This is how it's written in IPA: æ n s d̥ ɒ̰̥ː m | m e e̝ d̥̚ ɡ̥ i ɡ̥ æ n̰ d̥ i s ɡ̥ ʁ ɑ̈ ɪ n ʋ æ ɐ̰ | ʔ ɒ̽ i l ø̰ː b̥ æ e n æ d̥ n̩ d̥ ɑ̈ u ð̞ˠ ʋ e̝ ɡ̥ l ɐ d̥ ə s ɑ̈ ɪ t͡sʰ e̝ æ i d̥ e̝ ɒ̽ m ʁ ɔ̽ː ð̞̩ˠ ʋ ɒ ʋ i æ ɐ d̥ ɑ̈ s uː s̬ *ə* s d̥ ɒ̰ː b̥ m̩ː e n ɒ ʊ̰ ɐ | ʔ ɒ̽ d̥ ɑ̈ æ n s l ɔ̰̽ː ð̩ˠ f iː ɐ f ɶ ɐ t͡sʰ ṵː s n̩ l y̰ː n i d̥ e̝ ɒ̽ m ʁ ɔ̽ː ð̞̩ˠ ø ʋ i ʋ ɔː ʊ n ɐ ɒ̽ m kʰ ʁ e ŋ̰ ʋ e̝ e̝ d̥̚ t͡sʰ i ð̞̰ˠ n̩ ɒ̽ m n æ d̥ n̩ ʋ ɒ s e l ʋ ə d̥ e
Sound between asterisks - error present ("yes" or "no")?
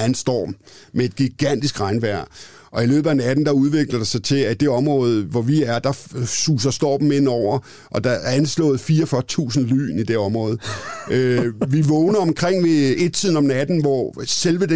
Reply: yes